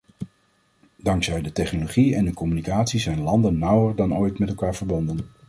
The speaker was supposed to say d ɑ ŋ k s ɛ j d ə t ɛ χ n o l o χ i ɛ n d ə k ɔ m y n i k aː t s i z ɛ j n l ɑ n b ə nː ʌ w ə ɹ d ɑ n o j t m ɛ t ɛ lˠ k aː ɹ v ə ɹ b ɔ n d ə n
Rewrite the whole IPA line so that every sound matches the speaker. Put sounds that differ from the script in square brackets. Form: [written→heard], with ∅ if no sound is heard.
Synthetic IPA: d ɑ ŋ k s ɛ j d ə t ɛ χ n o l o χ i ɛ n d ə k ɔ m y n i k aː t s i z ɛ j n l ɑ n [b→d] ə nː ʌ w ə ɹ d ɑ n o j t m ɛ t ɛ lˠ k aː ɹ v ə ɹ b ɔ n d ə n